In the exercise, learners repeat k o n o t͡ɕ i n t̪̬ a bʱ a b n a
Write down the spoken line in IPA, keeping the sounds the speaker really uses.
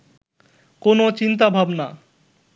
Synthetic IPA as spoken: k o n o t͡ɕ i n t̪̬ a bʱ a b n a